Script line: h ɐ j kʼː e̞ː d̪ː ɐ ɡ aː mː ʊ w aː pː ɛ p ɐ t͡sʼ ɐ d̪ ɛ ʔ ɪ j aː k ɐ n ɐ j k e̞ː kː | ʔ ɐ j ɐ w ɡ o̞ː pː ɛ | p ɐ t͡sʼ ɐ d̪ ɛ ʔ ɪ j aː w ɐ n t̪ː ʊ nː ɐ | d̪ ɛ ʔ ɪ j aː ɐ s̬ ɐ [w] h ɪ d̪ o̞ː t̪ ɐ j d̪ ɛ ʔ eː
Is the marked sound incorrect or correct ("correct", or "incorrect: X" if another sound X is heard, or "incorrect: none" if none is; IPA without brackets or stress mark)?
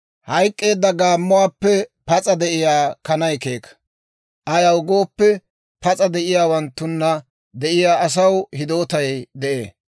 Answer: correct